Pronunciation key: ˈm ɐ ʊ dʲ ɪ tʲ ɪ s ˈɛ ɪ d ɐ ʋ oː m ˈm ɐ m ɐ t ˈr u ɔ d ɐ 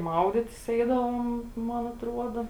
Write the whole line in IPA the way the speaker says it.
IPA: ˈm ɐ ʊ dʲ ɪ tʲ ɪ s ˈɛ ɪ d ɐ ʋ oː m ˈm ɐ n ɐ t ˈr u ɔ d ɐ